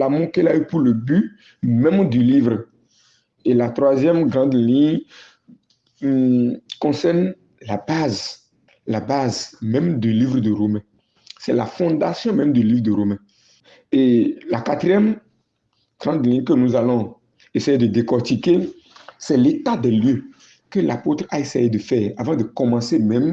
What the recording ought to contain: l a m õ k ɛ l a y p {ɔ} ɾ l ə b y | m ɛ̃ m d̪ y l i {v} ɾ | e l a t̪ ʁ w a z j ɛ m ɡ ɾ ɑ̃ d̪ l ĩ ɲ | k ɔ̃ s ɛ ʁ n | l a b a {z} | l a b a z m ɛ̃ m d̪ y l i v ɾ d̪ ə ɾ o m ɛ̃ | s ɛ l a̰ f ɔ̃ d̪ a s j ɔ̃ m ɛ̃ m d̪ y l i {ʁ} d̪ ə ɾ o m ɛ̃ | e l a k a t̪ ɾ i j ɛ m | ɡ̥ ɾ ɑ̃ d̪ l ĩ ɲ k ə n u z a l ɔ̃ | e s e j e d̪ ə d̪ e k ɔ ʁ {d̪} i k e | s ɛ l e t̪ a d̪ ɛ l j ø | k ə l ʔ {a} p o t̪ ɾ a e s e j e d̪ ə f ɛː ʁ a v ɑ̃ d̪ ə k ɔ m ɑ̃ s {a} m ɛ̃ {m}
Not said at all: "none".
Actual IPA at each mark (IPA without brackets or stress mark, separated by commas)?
u, v, z, v, t̪, a, e, m